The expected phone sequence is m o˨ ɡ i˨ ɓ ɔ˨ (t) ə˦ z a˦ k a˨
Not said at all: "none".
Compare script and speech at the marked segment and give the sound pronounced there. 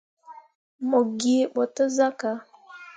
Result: t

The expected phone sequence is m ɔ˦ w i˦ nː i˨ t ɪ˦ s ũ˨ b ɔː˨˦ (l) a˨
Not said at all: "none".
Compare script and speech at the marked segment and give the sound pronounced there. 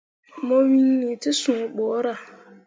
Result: ɾ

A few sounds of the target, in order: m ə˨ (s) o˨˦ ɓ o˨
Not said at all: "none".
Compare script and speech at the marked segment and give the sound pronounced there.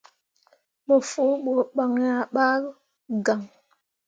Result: f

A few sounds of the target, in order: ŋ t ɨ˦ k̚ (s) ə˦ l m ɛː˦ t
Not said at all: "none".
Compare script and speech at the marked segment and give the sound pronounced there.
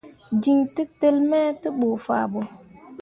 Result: t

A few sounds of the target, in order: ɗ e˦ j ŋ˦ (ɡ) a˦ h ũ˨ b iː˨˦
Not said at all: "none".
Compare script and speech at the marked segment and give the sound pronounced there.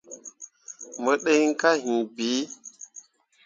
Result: k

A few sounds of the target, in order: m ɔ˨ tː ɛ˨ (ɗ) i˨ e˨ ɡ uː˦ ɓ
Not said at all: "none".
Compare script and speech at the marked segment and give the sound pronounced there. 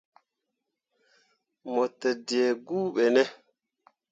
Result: d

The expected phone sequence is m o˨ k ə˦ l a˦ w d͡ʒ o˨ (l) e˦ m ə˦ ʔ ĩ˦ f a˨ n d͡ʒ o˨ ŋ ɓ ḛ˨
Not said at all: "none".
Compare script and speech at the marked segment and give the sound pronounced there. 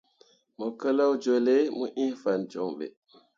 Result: l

